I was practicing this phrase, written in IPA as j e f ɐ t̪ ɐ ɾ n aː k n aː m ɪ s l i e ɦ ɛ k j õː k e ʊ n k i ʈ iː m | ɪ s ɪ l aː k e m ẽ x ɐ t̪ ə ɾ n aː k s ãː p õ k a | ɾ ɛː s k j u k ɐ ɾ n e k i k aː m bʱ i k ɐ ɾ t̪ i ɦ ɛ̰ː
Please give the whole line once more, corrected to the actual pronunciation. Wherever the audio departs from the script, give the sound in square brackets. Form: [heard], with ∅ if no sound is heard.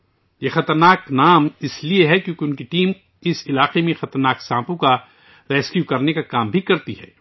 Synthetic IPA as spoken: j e [x] ɐ t̪ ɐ ɾ n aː k n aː m ɪ s l i e ɦ ɛ k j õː k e ʊ n k i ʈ iː m | ɪ s ɪ l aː [q] e m ẽ x ɐ t̪ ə ɾ n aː k s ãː p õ k a | ɾ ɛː s k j u k ɐ ɾ n e k [a] k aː m bʱ i k ɐ ɾ t̪ i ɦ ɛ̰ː